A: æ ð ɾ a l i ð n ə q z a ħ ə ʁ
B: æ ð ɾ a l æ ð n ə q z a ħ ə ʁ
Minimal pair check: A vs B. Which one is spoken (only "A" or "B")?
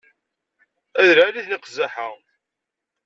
A